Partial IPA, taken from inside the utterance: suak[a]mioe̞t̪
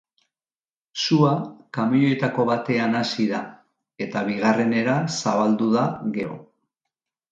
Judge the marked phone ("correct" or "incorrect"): correct